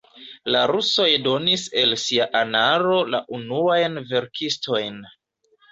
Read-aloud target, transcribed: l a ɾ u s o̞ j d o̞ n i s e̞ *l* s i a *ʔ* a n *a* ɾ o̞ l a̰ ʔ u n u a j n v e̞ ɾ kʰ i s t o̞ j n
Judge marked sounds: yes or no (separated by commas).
yes, yes, yes